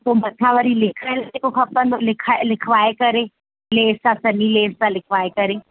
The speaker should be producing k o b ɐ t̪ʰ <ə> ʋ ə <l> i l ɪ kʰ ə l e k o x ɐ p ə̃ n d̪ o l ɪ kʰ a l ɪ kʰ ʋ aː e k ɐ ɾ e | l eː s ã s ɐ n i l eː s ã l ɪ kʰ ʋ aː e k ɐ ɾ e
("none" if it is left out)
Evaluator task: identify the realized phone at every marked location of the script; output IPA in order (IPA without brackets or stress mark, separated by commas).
a, ɾ